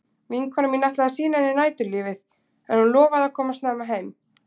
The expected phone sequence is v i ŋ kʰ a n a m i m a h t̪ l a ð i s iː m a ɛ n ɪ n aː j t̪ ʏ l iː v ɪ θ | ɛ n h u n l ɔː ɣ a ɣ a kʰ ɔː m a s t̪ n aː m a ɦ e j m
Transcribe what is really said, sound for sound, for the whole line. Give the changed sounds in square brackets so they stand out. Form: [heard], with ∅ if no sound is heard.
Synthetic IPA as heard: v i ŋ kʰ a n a m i [n] a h t̪ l a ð [a] s iː [n] a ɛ n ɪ n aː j t̪ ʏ l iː v ɪ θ | ɛ n h u n l ɔː [v] a [ð] a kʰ ɔː m a s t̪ n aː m a ɦ e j m

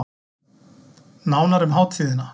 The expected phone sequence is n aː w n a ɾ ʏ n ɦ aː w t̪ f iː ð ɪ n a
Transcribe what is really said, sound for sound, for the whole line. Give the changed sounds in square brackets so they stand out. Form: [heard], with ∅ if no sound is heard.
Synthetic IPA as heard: n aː w n a ɾ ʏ [m] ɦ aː w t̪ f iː ð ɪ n a

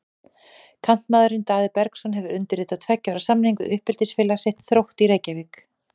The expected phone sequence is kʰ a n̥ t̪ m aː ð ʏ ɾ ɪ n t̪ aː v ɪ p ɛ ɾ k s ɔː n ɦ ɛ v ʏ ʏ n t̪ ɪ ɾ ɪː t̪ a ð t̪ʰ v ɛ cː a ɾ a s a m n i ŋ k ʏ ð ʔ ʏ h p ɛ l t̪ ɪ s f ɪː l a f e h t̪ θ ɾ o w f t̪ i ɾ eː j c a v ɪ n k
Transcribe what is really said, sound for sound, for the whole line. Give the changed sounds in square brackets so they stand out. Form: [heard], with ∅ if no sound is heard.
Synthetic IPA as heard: kʰ a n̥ t̪ m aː ð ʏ ɾ ɪ n t̪ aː [ð] ɪ p ɛ ɾ k s [ɔ] n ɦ ɛ v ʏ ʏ n t̪ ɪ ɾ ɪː t̪ a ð t̪ʰ v ɛ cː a ɾ a s a m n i ŋ k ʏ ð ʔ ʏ h p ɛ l t̪ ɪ s f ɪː l a [s] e h t̪ θ ɾ o w [h] t̪ i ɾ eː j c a v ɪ [∅] k

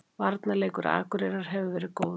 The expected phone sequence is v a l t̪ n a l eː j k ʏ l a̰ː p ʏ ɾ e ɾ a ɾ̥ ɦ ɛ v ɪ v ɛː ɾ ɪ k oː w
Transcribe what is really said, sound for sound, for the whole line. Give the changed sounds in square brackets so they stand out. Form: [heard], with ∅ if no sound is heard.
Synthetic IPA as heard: v a [ɾ] t̪ n a l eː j k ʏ [ɾ] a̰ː [k] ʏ ɾ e ɾ a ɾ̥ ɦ ɛ v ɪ v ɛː ɾ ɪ k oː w

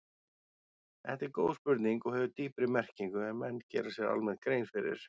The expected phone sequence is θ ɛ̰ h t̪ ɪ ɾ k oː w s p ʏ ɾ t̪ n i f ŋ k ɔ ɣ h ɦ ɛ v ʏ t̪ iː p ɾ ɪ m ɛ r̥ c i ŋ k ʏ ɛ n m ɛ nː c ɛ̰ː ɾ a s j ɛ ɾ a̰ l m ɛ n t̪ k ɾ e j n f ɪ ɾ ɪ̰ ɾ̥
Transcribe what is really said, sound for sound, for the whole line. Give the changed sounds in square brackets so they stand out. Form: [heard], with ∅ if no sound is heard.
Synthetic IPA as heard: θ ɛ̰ h t̪ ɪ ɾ k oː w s p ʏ ɾ t̪ n i [∅] ŋ k ɔ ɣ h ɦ ɛ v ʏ t̪ iː p ɾ ɪ m ɛ r̥ c i ŋ k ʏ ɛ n m ɛ nː c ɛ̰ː ɾ a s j ɛ ɾ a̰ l m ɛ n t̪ k ɾ e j n f ɪ ɾ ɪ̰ ɾ̥

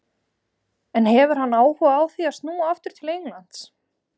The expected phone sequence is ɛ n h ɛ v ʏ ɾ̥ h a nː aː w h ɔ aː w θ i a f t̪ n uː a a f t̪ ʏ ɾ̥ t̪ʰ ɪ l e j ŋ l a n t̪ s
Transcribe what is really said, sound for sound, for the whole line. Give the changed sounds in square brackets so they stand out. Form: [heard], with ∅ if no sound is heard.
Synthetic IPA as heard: ɛ n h ɛ v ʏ ɾ̥ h a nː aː w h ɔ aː w θ i a [s] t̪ n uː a a f t̪ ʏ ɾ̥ t̪ʰ ɪ l e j ŋ l a n t̪ s

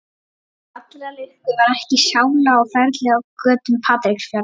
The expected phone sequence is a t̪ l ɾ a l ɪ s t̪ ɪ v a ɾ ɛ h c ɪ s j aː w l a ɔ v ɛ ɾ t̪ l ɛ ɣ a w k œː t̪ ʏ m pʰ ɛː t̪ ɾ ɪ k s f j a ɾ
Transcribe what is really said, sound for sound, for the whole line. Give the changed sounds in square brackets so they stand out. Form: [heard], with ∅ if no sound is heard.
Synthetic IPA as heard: a t̪ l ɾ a l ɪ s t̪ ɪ v a ɾ ɛ h c ɪ s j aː w l a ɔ [f] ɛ ɾ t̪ l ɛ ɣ a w k œː t̪ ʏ m pʰ [aː] t̪ ɾ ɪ k s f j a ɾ

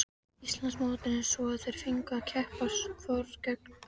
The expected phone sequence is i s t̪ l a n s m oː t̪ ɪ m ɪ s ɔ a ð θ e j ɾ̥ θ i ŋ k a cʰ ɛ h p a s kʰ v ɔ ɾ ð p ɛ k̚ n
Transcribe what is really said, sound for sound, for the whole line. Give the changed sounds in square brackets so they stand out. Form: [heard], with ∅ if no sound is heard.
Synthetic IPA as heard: i s t̪ l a n s m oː t̪ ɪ [n] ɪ s ɔ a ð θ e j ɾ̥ [f] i ŋ k a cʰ ɛ h p a s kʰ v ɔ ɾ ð [c] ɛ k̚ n

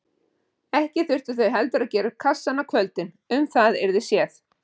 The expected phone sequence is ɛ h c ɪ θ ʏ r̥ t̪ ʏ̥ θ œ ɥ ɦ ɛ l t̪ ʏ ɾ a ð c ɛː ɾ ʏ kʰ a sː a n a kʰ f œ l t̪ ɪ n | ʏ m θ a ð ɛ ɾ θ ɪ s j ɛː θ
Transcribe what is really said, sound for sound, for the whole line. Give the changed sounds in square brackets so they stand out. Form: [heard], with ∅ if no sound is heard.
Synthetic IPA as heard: ɛ h c ɪ θ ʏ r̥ t̪ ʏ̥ θ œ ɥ ɦ ɛ l t̪ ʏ ɾ a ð c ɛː ɾ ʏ kʰ a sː a n a kʰ [v] œ l t̪ ɪ n | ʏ m θ a ð ɛ ɾ [ð] ɪ s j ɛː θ

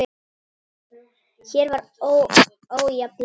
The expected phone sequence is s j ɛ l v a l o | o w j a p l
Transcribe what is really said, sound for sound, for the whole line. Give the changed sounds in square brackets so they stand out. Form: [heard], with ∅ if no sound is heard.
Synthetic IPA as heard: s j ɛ [ɾ] v a [ɾ] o | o w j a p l

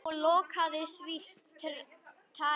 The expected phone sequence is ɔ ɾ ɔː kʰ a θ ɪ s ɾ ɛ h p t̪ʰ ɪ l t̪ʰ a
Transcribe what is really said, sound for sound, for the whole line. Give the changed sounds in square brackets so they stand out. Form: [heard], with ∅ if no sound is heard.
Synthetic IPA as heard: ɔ [l] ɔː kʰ a [ð] ɪ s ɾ [i] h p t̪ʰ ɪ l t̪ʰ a

